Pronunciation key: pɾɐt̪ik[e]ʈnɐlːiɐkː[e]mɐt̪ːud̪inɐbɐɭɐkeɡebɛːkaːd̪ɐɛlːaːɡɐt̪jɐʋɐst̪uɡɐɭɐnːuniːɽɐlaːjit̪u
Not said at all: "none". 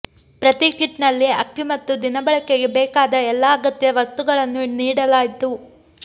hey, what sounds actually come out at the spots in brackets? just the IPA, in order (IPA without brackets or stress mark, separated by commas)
i, i